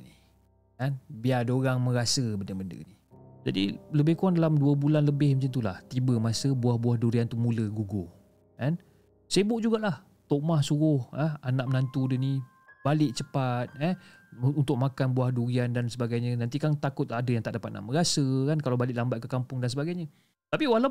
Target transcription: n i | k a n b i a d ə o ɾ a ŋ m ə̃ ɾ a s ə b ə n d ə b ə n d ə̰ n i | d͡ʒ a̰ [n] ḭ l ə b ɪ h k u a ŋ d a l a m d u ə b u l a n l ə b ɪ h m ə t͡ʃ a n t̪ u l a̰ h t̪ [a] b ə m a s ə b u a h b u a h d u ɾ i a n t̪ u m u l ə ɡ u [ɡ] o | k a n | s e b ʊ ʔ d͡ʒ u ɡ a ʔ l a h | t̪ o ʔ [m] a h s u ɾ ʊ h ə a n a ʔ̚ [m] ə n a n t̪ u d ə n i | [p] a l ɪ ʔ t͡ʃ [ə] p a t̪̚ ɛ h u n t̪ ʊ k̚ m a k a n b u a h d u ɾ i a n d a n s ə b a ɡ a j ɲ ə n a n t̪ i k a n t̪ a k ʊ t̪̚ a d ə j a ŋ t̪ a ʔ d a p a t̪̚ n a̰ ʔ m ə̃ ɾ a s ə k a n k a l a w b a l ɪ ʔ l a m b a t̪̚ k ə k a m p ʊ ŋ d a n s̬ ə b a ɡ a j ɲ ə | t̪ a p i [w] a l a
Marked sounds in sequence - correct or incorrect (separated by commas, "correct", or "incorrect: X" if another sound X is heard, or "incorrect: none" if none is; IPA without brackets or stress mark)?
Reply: incorrect: d, incorrect: i, correct, correct, correct, incorrect: b, correct, correct